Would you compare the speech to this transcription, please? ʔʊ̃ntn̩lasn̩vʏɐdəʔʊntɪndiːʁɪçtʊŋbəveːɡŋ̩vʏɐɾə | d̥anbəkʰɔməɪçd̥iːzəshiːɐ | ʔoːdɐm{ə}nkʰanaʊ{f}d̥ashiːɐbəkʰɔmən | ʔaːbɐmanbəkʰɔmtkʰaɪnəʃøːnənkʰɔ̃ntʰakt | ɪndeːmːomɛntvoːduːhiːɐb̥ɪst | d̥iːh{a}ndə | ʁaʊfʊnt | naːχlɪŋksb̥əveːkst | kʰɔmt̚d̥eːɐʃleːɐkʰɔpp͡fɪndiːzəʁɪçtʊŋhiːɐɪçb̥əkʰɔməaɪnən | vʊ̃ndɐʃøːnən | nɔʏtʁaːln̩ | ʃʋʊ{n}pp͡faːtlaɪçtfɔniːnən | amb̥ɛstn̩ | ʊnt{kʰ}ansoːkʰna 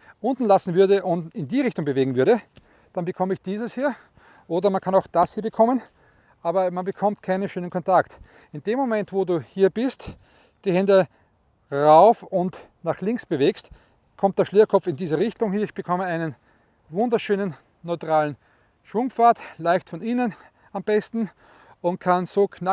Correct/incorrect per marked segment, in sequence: incorrect: a, incorrect: x, incorrect: ɛ, incorrect: ŋ, correct

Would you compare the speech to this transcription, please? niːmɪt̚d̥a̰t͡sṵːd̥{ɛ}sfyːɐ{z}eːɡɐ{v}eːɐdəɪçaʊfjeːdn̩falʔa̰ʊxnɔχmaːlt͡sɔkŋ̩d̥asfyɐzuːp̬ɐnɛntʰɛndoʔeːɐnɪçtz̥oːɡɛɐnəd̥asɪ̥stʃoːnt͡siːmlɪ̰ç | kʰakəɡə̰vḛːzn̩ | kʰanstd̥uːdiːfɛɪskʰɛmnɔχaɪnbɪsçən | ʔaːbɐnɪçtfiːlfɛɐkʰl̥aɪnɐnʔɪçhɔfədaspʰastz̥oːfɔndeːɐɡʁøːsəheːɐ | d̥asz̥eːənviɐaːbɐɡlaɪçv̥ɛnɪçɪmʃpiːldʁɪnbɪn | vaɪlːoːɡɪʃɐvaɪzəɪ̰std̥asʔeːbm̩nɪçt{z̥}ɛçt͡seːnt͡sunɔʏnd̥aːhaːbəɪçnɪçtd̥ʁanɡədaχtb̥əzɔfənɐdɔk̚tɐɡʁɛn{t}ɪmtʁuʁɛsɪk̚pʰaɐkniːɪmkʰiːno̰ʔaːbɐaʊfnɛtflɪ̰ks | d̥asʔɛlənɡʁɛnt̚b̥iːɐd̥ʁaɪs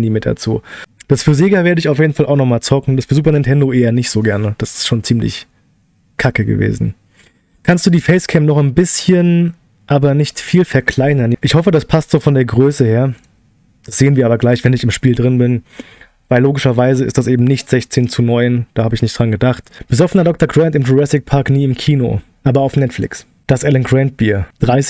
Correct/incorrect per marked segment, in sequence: incorrect: a, correct, correct, correct, correct

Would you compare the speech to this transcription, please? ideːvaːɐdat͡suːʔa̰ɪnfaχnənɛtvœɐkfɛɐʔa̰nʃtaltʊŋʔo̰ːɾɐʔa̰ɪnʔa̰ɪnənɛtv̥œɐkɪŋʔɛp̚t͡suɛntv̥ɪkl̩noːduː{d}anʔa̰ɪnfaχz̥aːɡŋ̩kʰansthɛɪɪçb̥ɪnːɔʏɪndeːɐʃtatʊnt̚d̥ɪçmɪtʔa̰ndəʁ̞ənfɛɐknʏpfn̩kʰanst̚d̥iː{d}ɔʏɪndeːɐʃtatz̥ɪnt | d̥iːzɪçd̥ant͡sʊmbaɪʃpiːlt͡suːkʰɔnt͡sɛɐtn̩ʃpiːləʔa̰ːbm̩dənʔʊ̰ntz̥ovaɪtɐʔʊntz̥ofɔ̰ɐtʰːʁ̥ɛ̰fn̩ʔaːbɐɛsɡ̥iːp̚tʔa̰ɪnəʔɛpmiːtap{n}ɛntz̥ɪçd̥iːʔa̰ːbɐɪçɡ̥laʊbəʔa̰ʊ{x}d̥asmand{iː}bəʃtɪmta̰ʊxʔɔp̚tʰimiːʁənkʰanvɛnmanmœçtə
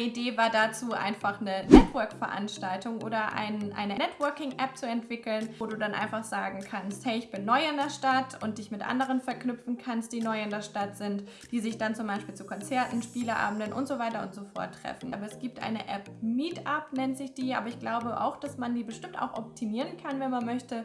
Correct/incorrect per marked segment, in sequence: correct, incorrect: n, correct, correct, correct

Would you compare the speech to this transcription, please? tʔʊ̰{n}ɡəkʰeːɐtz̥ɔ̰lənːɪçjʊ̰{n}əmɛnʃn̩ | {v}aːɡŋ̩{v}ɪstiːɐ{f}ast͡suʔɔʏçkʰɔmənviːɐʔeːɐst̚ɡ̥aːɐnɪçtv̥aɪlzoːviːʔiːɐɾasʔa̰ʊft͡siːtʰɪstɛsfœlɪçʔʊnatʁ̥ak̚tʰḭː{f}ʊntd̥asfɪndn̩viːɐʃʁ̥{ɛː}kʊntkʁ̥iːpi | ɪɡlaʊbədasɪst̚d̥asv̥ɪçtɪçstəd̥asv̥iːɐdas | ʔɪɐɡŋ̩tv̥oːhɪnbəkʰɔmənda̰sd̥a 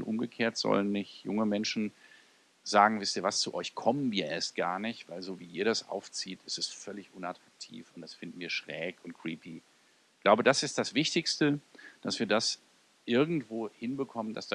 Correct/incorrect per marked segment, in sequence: incorrect: m, incorrect: ŋ, incorrect: z, correct, incorrect: v, correct, correct

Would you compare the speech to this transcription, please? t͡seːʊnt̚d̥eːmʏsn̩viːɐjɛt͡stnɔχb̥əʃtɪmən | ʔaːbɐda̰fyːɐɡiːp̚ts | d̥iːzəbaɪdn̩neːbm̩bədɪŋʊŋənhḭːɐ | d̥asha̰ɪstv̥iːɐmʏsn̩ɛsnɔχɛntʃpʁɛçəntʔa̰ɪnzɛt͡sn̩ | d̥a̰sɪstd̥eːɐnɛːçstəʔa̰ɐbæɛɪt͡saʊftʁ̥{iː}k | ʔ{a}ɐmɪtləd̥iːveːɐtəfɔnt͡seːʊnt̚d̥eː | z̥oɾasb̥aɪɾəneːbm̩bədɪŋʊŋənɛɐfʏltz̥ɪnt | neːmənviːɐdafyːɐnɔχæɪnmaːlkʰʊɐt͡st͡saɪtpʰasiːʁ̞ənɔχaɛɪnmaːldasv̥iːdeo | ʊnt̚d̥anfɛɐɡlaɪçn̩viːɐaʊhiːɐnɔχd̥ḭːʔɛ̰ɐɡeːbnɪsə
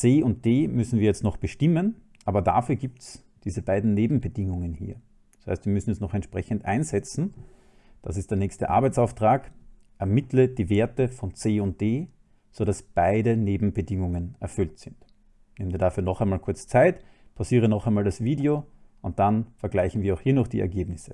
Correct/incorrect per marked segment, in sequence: incorrect: aː, incorrect: ɛ

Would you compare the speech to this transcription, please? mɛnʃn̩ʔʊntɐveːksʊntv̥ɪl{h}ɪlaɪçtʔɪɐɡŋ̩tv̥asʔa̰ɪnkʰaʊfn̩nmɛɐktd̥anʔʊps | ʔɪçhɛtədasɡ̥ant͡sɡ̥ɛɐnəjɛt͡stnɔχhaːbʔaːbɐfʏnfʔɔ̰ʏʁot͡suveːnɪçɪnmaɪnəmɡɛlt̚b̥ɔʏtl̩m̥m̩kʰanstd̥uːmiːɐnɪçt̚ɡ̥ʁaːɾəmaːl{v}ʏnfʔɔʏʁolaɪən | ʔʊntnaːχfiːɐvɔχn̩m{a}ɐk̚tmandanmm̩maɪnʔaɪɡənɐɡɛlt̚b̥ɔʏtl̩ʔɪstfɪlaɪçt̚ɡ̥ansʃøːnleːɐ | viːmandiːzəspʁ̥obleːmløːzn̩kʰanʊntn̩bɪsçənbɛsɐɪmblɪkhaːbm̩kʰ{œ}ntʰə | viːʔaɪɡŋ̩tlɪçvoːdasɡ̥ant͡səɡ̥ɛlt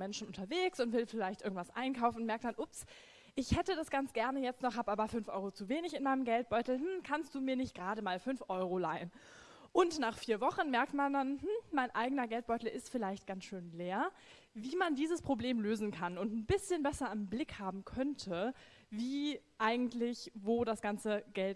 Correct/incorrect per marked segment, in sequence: incorrect: f, incorrect: f, incorrect: ɛ, correct

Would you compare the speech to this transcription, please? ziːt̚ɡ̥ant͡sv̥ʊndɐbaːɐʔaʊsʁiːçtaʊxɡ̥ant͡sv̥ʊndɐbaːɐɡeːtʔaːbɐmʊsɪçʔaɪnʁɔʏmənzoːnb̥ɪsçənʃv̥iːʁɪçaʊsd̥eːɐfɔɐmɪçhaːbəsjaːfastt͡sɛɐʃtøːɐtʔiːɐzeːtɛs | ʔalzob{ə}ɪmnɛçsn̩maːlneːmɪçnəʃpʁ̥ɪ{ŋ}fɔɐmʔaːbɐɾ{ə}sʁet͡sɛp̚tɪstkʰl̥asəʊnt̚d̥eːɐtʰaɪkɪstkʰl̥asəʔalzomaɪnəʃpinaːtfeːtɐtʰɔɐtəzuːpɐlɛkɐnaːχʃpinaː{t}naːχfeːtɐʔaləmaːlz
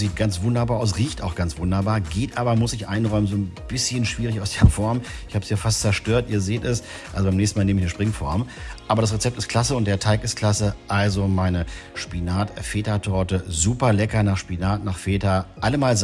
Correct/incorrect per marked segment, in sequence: incorrect: a, correct, incorrect: a, correct

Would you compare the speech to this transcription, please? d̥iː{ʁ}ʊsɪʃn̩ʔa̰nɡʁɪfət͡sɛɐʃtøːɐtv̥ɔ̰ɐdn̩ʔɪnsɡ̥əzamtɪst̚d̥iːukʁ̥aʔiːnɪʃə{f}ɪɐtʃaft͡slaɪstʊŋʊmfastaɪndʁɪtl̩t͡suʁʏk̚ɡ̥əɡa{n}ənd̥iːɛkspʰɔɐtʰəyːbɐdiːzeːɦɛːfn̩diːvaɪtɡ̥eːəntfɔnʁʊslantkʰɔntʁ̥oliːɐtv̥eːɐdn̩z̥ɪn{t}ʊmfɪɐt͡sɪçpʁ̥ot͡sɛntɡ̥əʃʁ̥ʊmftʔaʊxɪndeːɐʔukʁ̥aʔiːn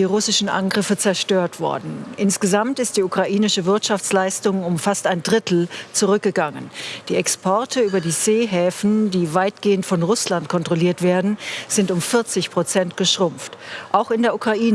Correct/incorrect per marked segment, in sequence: correct, incorrect: v, incorrect: ŋ, correct

